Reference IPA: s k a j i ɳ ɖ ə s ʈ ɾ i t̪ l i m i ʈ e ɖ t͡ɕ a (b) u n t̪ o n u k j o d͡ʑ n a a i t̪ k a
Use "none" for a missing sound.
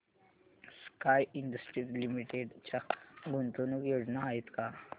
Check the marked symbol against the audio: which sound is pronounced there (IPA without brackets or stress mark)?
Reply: ɡ